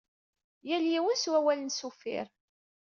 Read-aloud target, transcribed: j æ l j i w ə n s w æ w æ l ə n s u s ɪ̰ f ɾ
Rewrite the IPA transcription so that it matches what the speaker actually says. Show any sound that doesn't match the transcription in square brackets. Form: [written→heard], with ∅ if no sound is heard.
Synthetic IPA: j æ l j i w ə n s w æ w æ l ə n s u [s→f] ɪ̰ [f→∅] ɾ